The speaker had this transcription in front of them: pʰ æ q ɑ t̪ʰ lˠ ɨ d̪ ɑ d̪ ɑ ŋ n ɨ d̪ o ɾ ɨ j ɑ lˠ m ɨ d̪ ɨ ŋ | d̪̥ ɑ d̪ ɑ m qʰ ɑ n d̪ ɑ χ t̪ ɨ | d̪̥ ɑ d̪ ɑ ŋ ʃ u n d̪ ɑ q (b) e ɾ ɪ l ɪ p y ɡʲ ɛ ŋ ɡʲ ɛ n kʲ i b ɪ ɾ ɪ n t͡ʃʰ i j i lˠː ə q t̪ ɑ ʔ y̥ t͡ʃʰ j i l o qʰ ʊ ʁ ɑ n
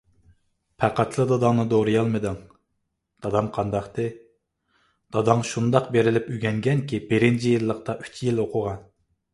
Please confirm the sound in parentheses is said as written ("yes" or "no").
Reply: yes